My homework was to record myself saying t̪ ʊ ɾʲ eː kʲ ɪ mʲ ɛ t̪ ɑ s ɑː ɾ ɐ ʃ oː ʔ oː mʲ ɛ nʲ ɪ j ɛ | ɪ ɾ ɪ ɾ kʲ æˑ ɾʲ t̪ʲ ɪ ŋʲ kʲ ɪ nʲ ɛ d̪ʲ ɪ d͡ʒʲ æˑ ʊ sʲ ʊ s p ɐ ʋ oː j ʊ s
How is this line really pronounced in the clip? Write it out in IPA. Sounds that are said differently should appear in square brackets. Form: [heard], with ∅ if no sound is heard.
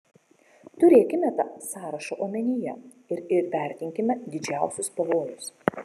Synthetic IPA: t̪ ʊ ɾʲ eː kʲ ɪ mʲ ɛ t̪ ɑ s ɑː ɾ ɐ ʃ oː ʔ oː mʲ ɛ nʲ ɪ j ɛ | ɪ ɾ ɪ ɾ [pʲ] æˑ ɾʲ t̪ʲ ɪ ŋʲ kʲ ɪ [mʲ] ɛ d̪ʲ ɪ d͡ʒʲ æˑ ʊ sʲ ʊ s p ɐ ʋ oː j ʊ s